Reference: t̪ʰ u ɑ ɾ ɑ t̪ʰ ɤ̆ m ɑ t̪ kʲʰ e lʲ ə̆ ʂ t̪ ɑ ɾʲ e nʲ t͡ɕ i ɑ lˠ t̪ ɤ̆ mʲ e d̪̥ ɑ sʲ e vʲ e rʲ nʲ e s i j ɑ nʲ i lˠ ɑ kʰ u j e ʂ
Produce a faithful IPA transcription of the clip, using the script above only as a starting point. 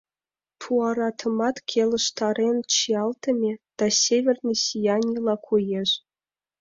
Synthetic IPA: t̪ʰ u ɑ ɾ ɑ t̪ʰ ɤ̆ m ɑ t̪ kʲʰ e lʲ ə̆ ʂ t̪ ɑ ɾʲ e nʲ t͡ɕ i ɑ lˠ t̪ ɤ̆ mʲ e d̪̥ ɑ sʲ e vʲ e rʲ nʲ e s i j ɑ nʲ i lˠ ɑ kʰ u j e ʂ